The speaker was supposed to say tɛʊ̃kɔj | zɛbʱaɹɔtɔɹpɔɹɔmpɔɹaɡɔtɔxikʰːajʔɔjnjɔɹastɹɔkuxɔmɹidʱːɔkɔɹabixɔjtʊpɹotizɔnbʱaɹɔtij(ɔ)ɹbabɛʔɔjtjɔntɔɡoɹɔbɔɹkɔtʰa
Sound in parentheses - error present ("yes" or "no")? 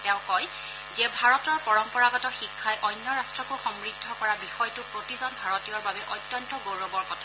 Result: no